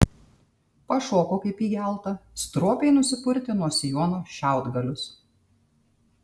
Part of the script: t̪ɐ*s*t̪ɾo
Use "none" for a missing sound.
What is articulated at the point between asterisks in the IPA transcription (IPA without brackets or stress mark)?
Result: s